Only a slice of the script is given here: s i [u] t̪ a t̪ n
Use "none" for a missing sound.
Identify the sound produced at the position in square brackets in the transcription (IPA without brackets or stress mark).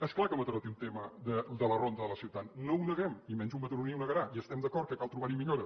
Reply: w